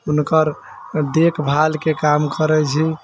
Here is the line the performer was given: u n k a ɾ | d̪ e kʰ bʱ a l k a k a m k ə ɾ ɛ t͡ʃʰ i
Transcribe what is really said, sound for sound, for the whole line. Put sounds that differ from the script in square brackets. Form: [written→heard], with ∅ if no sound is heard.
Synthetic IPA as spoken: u n k [a→ə] ɾ | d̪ e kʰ bʱ a l k [a→e] k a m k ə ɾ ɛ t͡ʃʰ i